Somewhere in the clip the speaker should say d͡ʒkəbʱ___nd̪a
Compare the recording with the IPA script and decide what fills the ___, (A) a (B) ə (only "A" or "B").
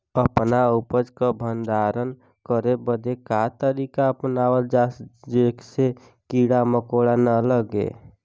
B